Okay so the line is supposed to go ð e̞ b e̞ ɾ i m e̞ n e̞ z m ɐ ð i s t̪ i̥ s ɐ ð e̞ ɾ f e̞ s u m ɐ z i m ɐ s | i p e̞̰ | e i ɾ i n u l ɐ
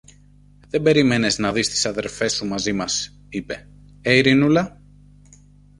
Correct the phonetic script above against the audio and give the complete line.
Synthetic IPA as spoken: ð e̞ b e̞ ɾ i m e̞ n e̞ z n ɐ ð i s t̪ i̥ s ɐ ð e̞ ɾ f e̞ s u m ɐ z i m ɐ s | i p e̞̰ | e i ɾ i n u l ɐ